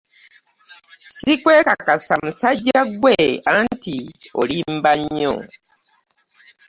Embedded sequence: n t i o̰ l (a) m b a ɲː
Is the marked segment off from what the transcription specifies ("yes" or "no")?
yes